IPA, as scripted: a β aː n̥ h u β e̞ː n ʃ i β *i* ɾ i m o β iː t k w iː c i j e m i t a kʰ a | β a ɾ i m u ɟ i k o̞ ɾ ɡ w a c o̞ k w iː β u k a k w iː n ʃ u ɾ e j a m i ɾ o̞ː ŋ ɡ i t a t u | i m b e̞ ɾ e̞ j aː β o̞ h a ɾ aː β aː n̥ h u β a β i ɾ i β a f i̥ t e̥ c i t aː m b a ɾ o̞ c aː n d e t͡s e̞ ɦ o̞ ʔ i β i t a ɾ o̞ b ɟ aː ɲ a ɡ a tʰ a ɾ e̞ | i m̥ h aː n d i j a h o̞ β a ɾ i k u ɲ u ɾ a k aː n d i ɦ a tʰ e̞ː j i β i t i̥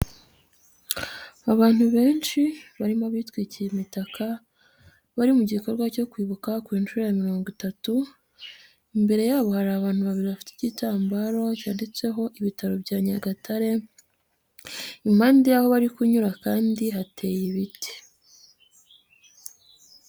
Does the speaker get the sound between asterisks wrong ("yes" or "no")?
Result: yes